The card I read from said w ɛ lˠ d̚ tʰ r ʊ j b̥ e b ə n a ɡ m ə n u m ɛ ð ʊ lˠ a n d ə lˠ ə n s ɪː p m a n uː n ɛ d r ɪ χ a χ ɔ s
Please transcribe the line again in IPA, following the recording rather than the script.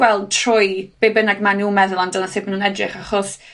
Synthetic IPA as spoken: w ɛ lˠ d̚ tʰ r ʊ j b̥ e b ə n a ɡ m a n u m ɛ ð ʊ lˠ a n d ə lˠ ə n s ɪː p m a n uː n ɛ d r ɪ χ a χ ɔ s